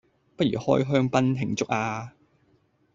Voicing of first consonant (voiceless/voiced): voiceless